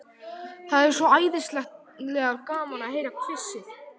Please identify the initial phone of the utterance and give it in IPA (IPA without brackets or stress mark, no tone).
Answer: θ